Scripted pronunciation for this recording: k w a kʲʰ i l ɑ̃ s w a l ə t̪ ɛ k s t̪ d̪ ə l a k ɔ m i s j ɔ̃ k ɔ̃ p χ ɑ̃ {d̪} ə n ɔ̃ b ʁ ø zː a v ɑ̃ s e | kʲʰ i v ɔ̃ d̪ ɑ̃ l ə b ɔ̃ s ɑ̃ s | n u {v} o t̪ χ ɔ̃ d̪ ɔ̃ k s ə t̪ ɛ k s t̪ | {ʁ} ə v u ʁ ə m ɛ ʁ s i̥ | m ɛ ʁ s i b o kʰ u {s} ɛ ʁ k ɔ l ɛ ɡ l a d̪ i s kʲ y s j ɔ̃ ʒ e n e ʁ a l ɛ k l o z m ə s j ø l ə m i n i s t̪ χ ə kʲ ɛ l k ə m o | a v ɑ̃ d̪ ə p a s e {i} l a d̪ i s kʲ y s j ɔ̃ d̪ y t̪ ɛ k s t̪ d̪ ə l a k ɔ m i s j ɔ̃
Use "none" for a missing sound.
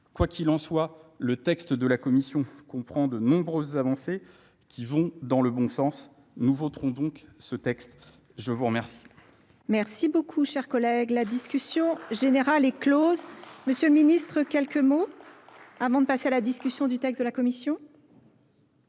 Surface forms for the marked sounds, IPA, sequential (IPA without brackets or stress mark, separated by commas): d̪, v, ʒ, ʃ, a